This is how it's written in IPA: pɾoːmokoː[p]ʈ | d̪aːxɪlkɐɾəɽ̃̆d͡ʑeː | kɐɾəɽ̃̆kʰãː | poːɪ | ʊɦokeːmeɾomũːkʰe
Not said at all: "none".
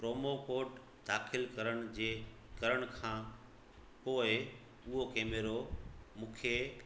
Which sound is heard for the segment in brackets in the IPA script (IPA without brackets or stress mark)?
none